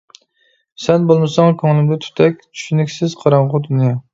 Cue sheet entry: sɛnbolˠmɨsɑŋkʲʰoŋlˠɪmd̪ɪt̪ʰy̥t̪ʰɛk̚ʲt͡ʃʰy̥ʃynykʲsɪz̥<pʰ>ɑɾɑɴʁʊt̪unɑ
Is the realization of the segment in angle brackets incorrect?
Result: yes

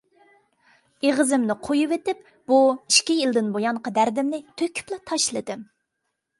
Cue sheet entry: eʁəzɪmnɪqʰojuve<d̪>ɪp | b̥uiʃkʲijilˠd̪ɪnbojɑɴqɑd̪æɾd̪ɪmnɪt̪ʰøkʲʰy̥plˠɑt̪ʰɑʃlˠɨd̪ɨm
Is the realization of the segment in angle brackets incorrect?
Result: yes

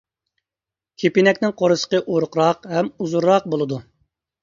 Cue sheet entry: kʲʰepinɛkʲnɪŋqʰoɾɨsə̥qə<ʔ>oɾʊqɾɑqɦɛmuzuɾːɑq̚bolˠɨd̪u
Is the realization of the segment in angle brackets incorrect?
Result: no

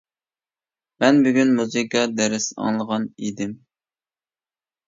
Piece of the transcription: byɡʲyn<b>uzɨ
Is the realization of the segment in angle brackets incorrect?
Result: yes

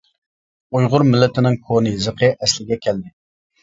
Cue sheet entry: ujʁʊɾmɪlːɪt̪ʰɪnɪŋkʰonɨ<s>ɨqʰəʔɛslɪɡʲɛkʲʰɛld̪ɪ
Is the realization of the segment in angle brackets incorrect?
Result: yes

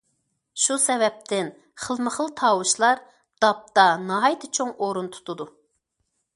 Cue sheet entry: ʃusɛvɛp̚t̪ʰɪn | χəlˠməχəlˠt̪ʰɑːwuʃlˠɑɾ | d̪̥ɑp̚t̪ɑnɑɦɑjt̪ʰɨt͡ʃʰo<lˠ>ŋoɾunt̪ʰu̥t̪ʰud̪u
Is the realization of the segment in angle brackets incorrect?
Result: yes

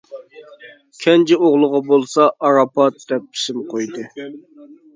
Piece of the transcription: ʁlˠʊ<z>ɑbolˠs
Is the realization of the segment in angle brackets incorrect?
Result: yes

